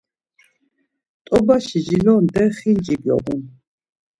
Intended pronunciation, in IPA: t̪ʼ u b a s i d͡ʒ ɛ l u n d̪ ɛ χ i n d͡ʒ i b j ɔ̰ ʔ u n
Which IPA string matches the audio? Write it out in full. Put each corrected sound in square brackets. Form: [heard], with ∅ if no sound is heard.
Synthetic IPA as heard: t̪ʼ [ɔ] b a [ʃ] i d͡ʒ [i] l [ɔ] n d̪ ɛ χ i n d͡ʒ i b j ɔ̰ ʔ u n